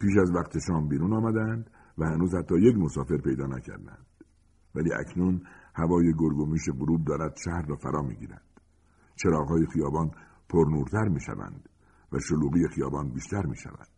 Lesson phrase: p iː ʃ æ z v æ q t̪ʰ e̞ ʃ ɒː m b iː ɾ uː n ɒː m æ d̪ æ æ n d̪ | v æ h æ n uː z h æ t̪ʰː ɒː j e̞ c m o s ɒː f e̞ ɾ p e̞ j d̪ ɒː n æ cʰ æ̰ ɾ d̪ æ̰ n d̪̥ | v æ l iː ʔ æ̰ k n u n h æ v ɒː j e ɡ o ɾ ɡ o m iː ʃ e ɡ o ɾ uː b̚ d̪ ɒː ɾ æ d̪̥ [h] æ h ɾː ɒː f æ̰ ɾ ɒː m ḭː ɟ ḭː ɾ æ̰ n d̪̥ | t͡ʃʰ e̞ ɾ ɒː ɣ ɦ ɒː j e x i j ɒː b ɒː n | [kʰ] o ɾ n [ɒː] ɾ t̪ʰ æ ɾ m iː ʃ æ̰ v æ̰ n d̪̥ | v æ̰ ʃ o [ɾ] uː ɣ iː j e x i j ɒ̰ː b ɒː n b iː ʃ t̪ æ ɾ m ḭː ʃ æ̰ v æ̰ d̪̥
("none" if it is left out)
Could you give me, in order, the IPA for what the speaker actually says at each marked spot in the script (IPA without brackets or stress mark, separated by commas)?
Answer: ʃ, pʰ, uː, l